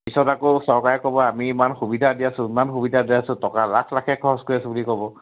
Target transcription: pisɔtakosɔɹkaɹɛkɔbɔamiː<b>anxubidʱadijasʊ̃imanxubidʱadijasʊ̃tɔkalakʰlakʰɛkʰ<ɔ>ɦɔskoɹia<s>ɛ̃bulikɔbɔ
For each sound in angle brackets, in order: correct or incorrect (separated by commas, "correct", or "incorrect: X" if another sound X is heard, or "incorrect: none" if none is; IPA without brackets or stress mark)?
incorrect: m, correct, correct